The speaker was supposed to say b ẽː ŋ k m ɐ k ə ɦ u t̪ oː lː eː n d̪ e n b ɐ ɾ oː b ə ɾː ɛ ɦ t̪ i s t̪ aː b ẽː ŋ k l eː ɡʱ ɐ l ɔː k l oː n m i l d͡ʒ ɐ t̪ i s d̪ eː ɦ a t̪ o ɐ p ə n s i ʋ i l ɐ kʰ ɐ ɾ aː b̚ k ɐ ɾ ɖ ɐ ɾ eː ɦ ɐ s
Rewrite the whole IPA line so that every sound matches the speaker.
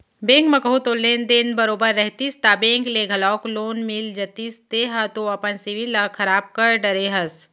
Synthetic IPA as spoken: b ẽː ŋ k m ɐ k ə ɦ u t̪ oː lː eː n d̪ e n b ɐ ɾ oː b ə ɾː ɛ ɦ t̪ i s t̪ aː b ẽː ŋ k l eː ɡʱ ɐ l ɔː k l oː n m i l d͡ʒ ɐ t̪ i s t̪ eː ɦ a t̪ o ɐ p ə n s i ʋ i l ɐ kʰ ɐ ɾ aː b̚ k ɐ ɾ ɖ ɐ ɾ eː ɦ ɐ s